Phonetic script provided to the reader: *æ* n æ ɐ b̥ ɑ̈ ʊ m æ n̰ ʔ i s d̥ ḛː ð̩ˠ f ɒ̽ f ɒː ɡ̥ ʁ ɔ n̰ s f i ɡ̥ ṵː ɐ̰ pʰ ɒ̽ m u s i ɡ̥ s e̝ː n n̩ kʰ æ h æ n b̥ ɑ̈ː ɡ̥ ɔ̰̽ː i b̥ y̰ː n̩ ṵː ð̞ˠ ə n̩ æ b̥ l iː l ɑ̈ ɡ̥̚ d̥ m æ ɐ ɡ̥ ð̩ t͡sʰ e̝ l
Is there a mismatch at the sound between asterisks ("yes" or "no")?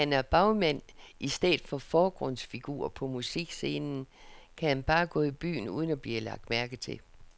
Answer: no